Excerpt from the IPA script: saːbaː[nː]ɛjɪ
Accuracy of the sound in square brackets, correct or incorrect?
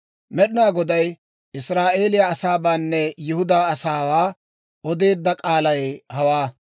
correct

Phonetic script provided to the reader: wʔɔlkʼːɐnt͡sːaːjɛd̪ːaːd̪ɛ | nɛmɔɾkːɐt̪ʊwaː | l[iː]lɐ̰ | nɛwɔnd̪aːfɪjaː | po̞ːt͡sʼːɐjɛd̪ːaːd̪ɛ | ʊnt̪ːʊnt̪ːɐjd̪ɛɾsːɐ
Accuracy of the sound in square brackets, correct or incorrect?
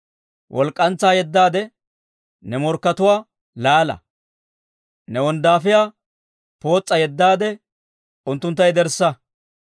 incorrect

